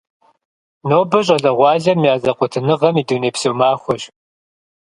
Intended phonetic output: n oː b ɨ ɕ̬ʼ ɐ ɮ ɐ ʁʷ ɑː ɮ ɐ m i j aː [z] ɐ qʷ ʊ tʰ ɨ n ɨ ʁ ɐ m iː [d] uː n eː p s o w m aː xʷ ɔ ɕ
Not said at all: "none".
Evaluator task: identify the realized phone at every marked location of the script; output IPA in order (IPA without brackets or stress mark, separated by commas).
z, d